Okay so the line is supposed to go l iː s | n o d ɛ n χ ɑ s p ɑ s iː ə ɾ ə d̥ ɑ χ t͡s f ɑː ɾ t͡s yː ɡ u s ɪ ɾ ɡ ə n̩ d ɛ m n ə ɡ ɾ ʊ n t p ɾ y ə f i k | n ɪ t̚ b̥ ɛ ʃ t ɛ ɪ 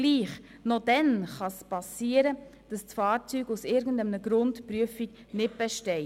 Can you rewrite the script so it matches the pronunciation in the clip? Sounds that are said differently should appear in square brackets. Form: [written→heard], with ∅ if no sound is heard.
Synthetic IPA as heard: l iː [s→χ] | n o d ɛ n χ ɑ s p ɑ s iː ə ɾ ə d̥ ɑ [χ→s] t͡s f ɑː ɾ t͡s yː ɡ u s ɪ ɾ ɡ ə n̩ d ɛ m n ə ɡ ɾ ʊ n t p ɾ y ə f i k | n ɪ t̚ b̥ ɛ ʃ t ɛ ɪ